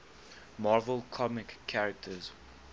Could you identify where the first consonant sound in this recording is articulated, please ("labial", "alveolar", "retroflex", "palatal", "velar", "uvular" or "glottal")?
labial